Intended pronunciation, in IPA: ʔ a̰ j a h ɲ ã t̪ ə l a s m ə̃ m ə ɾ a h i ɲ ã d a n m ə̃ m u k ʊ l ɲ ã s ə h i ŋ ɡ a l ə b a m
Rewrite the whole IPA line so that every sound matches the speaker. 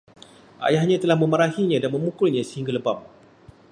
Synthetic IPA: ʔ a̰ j a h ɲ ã t̪ ə l a h m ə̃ m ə ɾ a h i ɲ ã d a n m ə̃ m u k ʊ l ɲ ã s ə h i ŋ ɡ a l ə b a m